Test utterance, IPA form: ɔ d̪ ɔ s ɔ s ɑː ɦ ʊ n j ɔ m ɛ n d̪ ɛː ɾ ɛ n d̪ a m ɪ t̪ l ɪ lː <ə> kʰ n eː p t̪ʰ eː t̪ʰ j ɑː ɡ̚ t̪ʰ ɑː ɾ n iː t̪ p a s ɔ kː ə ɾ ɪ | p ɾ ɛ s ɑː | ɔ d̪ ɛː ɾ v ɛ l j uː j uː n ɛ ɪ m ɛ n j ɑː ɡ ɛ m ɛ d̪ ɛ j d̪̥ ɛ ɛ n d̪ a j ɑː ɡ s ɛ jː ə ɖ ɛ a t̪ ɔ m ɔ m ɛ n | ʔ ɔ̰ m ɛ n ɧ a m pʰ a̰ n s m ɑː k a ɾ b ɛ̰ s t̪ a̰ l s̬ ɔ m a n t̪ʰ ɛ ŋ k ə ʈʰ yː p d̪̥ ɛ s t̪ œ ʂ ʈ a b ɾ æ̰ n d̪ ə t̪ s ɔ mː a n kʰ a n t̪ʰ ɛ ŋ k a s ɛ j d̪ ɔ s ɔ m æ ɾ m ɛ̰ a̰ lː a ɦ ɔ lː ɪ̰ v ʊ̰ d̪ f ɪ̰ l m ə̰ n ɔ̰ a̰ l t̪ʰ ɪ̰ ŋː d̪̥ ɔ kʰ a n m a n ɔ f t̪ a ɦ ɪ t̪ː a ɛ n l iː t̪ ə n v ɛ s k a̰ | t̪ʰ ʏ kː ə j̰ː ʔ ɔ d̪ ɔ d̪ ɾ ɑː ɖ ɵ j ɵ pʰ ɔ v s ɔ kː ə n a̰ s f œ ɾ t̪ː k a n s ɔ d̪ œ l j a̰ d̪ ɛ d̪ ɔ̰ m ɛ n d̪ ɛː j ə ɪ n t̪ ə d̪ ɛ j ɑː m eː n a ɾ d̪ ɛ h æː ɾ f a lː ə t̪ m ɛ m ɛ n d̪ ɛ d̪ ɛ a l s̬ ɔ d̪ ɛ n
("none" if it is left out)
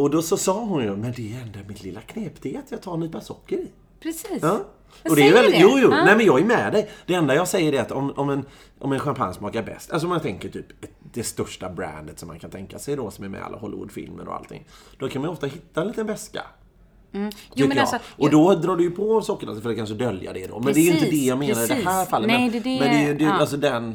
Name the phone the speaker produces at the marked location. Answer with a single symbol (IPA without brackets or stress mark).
a